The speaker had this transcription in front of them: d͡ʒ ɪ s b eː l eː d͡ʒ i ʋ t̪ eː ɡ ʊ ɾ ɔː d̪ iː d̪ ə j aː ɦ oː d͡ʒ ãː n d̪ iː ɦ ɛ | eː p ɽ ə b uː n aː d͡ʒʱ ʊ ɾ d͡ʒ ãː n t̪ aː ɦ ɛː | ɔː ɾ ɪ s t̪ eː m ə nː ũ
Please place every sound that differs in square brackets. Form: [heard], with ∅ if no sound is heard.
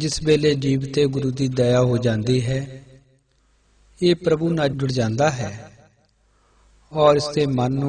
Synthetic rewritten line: d͡ʒ ɪ s b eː l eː d͡ʒ [iː] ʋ t̪ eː ɡ ʊ ɾ [uː] d̪ iː d̪ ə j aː ɦ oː d͡ʒ ãː n d̪ iː ɦ [ɛː] | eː p [ɾ] ə b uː n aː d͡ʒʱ ʊ [ɽ] d͡ʒ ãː n [d̪] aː ɦ ɛː | ɔː ɾ ɪ s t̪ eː m ə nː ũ